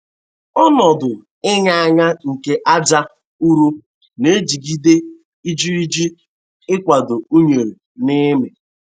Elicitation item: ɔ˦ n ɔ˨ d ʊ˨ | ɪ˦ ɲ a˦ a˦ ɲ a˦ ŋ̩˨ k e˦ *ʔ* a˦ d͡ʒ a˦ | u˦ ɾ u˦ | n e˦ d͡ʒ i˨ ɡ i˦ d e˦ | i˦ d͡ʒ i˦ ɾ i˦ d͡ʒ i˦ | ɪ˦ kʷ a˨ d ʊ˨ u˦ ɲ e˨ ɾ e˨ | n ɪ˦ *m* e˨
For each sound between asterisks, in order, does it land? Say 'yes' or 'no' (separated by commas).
yes, yes